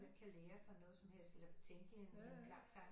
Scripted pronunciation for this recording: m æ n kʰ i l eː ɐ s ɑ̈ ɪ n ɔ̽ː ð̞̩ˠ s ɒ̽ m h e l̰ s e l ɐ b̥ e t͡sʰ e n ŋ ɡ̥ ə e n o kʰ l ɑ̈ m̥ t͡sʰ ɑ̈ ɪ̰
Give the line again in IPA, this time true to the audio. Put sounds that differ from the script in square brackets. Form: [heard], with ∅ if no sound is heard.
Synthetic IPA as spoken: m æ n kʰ [æ] l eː ɐ s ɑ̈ ɪ n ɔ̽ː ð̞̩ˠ s ɒ̽ m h e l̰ s e l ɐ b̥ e t͡sʰ e [∅] ŋ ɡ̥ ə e n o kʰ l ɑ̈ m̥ t͡sʰ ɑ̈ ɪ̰